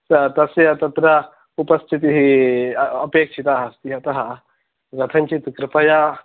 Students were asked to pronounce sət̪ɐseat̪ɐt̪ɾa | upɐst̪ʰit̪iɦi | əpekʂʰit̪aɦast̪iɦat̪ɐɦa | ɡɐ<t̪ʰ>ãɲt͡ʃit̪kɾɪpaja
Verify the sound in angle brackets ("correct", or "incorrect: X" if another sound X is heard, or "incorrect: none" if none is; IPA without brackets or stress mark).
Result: correct